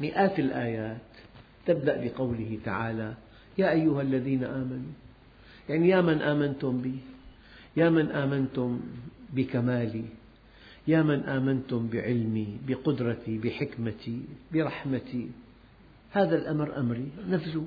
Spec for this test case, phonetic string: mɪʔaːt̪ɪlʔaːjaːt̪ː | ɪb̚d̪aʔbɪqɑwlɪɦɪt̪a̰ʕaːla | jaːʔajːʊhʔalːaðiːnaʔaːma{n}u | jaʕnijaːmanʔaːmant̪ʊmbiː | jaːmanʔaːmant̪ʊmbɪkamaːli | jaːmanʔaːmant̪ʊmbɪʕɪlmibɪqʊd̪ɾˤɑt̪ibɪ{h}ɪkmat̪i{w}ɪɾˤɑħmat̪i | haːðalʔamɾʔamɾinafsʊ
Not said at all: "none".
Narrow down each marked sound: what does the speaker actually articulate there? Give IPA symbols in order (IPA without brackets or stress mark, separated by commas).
n, ħ, b